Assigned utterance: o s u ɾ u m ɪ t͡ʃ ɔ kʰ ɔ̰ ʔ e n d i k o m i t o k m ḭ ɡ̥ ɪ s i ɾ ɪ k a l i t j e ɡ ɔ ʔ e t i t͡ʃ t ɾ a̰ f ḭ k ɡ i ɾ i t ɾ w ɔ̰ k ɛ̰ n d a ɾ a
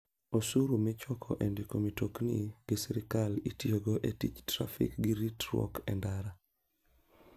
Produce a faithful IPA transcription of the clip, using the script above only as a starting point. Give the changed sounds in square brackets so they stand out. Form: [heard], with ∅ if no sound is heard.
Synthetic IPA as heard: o s u ɾ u m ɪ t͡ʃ ɔ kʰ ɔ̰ ʔ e n d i k o m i t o k [n] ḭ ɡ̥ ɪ s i ɾ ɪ k a l i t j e ɡ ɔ ʔ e t i t͡ʃ t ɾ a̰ f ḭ k ɡ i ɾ i t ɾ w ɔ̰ k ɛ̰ n d a ɾ a

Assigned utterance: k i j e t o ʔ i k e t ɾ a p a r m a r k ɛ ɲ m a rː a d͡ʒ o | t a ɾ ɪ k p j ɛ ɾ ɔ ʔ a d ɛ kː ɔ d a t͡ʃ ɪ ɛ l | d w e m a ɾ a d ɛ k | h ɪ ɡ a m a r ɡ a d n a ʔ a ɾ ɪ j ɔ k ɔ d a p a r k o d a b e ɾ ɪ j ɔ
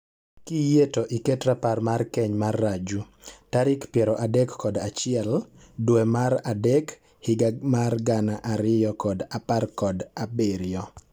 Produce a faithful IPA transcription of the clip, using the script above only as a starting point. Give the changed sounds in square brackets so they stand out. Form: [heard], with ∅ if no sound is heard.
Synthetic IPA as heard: k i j e t o ʔ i k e t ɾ a p a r m a r k ɛ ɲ m a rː a d͡ʒ [u] | t a ɾ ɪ k p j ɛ ɾ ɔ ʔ a d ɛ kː ɔ d a t͡ʃ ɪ ɛ l | d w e m a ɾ a d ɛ k | h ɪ ɡ a m a r ɡ a [∅] n a ʔ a ɾ ɪ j ɔ k ɔ d a p a r k [ɔ] d a b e ɾ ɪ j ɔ

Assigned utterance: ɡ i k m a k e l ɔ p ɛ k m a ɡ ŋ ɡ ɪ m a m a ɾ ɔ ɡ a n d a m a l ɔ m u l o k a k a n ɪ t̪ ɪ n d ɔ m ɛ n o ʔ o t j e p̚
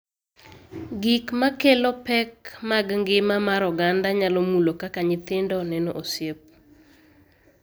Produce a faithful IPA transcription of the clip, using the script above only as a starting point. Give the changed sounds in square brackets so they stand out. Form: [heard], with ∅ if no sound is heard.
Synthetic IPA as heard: ɡ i k m a k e l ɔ p ɛ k m a ɡ ŋ ɡ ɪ m a m a ɾ ɔ ɡ a n d a [ɲ] a l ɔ m u l o k a k a [ɲ] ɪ t̪ ɪ n d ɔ [n] ɛ n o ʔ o [s] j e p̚

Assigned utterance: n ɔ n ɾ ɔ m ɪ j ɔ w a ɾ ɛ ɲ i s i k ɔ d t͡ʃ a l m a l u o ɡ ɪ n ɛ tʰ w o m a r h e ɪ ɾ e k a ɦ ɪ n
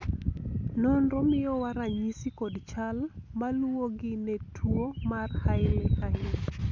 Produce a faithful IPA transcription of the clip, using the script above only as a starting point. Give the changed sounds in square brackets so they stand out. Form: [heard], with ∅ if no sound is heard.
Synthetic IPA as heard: n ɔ n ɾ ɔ m ɪ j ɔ w a ɾ [a] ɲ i s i k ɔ d t͡ʃ a l m a l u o ɡ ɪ n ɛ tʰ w o m a r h [a] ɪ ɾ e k a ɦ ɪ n

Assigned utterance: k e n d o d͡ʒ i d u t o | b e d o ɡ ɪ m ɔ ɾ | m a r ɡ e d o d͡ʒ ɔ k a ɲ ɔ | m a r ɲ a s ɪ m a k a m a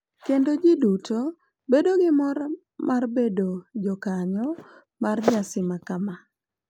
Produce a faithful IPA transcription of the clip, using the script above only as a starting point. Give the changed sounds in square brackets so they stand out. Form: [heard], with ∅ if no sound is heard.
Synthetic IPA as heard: k e n d o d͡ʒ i d u t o | b e d o ɡ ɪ m ɔ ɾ | m a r [b] e d o d͡ʒ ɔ k a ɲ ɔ | m a r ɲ a s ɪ m a k a m a

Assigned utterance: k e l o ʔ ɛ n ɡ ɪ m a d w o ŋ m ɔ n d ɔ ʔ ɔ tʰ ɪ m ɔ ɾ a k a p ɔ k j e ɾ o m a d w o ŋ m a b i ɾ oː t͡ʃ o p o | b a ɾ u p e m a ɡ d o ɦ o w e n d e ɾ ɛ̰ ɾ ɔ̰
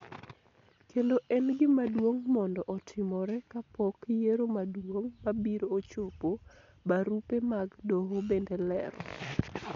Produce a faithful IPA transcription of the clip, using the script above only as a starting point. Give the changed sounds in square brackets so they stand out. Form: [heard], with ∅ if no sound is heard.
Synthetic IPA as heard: k e l o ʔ ɛ n ɡ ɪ m a d w o ŋ m ɔ n d ɔ ʔ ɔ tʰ ɪ m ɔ ɾ [ɛ] k a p ɔ k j e ɾ o m a d w o ŋ m a b i ɾ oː t͡ʃ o p o | b a ɾ u p e m a ɡ d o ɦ o [b] e n d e [l] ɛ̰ ɾ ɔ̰

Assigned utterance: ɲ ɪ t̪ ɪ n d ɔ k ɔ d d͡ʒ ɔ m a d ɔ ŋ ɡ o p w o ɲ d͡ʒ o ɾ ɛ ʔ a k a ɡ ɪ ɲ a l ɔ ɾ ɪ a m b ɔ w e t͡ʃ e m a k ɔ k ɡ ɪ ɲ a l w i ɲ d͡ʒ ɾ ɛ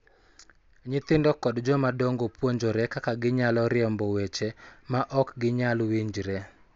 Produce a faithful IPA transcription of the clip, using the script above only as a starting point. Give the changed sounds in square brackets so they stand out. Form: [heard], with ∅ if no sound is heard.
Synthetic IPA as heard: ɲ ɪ t̪ ɪ n d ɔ k ɔ d d͡ʒ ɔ m a d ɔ ŋ ɡ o p w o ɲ d͡ʒ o ɾ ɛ [k] a k a ɡ ɪ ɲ a l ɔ ɾ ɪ [ɛ] m b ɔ w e t͡ʃ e m a [ʔ] ɔ k ɡ ɪ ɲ a l w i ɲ d͡ʒ ɾ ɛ

